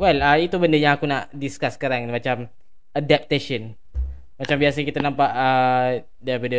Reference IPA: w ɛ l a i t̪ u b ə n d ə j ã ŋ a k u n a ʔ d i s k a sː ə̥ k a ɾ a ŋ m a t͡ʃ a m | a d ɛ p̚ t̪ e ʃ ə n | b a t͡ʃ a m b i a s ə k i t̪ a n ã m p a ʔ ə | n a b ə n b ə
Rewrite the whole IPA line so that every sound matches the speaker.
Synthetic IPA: w ɛ l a i t̪ u b ə n d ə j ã ŋ a k u n a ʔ d i s k a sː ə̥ k a ɾ a ŋ m a t͡ʃ a m | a d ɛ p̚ t̪ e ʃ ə n | m a t͡ʃ a m b i a s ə k i t̪ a n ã m p a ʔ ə | d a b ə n d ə